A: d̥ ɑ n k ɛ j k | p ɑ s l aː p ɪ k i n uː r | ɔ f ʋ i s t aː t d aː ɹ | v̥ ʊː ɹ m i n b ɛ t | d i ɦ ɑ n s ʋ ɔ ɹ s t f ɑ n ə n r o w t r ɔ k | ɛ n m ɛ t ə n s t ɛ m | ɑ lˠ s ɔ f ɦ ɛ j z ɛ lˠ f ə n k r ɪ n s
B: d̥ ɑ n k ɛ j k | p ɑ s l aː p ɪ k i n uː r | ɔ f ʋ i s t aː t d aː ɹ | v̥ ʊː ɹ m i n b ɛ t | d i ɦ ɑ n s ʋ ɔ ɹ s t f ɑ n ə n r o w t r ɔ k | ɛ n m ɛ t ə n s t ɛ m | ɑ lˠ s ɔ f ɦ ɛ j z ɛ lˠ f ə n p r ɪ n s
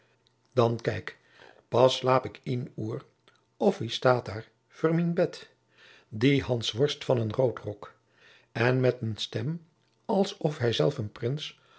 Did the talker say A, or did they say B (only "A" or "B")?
B